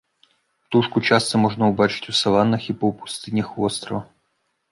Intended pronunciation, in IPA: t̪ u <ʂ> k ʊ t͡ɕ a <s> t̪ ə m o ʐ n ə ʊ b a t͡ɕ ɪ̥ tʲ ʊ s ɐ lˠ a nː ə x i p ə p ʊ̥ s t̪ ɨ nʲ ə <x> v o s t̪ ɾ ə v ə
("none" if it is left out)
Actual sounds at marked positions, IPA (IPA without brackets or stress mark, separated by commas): ʂ, s, x